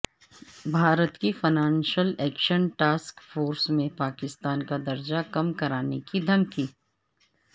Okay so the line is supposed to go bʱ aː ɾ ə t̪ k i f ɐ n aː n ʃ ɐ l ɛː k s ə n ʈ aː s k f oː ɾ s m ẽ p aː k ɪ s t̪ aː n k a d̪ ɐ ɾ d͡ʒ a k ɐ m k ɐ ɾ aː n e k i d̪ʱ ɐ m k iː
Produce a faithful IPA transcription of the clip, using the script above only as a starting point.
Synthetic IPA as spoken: bʱ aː ɾ ə t̪ k i f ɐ n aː n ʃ ə l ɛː k ʃ ə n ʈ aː s k f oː ɾ s m ẽ p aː k ɪ s t̪ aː n k a d̪ ɐ ɾ d͡ʒ a k ɐ m k ɐ ɾ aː n e k i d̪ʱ ɐ m k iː